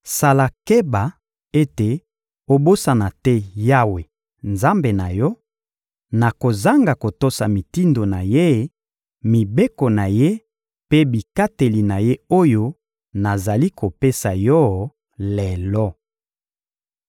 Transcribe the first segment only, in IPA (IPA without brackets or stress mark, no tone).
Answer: s